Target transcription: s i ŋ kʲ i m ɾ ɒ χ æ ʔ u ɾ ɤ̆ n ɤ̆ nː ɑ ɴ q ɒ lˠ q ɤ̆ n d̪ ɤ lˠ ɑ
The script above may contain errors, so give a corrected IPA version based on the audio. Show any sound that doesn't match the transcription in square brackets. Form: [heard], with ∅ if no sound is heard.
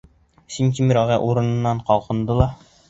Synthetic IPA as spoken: s i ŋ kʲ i m ɾ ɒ [ʁ] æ ʔ u ɾ ɤ̆ n ɤ̆ nː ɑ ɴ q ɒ lˠ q ɤ̆ n d̪ ɤ lˠ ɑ